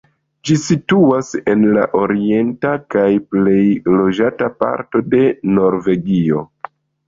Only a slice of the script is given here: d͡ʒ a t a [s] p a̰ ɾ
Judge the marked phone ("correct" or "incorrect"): incorrect